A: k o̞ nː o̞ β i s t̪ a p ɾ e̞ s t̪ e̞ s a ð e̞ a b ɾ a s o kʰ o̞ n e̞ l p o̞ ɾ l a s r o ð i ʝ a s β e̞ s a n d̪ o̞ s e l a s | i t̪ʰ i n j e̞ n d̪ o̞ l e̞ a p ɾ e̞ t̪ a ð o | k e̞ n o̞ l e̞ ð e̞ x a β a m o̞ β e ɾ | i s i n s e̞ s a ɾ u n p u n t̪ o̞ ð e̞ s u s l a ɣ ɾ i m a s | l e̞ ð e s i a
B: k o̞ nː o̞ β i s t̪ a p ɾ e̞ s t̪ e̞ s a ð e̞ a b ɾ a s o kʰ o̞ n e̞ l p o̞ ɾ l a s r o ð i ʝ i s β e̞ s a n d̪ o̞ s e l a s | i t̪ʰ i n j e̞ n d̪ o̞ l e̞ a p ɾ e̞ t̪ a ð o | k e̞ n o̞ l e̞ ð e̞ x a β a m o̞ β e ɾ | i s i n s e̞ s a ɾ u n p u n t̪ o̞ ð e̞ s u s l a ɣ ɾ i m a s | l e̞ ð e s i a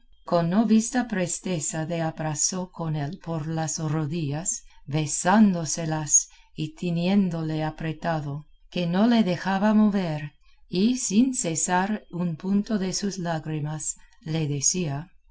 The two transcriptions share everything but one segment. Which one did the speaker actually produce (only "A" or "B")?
A